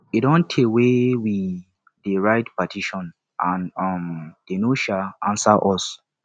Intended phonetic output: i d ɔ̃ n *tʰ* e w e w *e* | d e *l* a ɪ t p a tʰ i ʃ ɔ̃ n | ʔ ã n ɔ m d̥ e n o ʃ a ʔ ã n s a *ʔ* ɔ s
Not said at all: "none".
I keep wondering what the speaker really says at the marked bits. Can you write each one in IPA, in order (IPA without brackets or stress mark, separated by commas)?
tʰ, i, ɹ, ʔ